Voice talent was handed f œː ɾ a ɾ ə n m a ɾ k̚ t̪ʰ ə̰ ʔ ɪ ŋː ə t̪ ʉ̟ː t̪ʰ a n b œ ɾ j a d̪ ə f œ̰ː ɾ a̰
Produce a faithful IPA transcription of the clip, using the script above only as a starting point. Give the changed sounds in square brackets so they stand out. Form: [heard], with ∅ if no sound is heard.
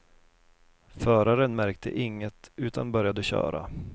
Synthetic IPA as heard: f œː ɾ a ɾ ə n m [æ] ɾ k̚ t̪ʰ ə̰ ʔ ɪ ŋː ə t̪ ʉ̟ː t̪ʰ a n b œ ɾ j a d̪ ə [ɕ] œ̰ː ɾ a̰

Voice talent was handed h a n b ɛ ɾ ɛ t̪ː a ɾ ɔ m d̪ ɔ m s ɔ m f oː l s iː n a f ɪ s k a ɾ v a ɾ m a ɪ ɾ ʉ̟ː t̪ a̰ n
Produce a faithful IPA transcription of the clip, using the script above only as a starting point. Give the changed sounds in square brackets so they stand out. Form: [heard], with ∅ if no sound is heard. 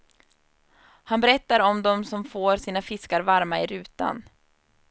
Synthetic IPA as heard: h a n b ɛ ɾ ɛ t̪ː a ɾ ɔ m d̪ ɔ m s ɔ m f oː [ɾ] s iː n a f ɪ s k a ɾ v a ɾ m a ɪ ɾ ʉ̟ː t̪ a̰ n

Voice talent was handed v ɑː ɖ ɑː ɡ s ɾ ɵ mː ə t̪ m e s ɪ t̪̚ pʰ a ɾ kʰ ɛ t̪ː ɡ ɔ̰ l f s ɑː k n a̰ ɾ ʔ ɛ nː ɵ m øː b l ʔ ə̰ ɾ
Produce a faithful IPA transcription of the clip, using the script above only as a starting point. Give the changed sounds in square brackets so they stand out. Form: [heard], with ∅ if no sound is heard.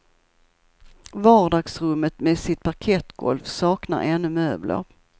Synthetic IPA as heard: v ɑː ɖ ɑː ɡ s ɾ ɵ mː ə t̪ m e s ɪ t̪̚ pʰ a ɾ kʰ ɛ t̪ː ɡ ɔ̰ l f s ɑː k n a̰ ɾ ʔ ɛ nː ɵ m øː b l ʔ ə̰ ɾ

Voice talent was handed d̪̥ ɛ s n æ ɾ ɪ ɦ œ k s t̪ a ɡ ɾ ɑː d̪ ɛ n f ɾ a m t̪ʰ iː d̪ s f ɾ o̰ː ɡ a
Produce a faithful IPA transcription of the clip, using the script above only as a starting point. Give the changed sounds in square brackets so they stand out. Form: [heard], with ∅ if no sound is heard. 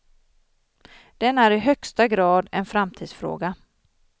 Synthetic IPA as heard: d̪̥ ɛ [∅] n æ ɾ ɪ ɦ œ k s t̪ a ɡ ɾ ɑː d̪ ɛ n f ɾ a m t̪ʰ iː d̪ s f ɾ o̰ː ɡ a

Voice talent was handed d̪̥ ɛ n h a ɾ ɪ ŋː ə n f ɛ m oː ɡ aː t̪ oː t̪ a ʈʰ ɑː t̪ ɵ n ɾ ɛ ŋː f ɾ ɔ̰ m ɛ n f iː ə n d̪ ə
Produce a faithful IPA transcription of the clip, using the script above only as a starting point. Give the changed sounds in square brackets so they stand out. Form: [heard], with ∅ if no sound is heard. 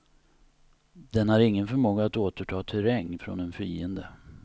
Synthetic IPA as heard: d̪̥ ɛ n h a ɾ ɪ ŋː ə n f [œ] m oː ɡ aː t̪ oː t̪ [ə] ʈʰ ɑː [t̪ʰ] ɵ [∅] ɾ ɛ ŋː f ɾ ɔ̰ [n] ɛ n f iː ə n d̪ ə

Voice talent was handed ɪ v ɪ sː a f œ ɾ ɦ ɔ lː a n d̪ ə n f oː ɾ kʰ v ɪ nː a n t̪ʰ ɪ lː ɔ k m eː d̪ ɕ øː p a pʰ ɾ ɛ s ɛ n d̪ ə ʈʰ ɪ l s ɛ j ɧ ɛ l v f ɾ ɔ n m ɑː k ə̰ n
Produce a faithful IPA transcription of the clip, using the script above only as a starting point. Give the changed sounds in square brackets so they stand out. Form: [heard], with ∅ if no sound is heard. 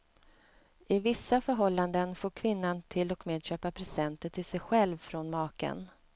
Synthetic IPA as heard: ɪ v ɪ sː a f œ ɾ ɦ ɔ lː a n d̪ ə n f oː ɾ kʰ v ɪ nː a n t̪ʰ ɪ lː ɔ k m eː d̪ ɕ øː p a pʰ ɾ ɛ s ɛ n [t̪] ə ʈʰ ɪ l s ɛ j ɧ ɛ l v f ɾ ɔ n m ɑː k ə̰ n

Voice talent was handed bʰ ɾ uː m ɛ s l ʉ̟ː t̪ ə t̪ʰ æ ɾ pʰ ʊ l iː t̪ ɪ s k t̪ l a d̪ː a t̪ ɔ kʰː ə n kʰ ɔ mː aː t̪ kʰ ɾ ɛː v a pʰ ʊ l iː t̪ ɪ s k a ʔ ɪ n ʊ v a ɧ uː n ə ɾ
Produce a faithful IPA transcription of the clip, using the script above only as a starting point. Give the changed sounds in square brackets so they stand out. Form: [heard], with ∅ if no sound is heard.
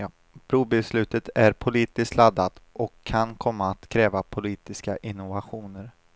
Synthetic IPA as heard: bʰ ɾ uː [b] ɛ s l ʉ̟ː t̪ ə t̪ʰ æ ɾ pʰ ʊ l iː t̪ ɪ s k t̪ l a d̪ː a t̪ ɔ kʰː [a] n kʰ ɔ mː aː t̪ kʰ ɾ ɛː v a pʰ ʊ l iː t̪ ɪ s k a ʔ ɪ n ʊ v a ɧ uː n ə ɾ

